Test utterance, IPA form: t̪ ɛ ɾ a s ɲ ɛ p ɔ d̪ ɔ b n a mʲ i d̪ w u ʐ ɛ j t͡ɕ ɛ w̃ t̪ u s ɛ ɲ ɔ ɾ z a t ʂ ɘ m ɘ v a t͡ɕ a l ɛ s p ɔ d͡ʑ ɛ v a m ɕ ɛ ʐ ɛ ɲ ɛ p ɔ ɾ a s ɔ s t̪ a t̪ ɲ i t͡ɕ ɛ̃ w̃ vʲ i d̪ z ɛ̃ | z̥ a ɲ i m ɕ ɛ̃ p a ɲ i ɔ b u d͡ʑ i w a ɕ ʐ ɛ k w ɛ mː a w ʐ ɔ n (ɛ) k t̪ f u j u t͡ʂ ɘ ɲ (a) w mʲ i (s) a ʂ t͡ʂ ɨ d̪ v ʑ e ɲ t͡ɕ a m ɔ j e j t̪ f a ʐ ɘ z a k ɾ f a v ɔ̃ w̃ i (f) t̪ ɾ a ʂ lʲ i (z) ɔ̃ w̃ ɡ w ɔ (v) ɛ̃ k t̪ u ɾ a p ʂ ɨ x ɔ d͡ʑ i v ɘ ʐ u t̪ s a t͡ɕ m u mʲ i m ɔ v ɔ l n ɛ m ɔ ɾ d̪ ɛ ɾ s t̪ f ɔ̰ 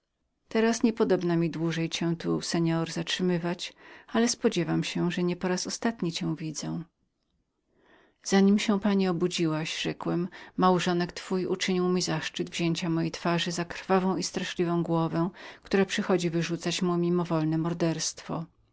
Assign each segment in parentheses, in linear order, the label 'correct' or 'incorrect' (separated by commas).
correct, incorrect, incorrect, incorrect, incorrect, correct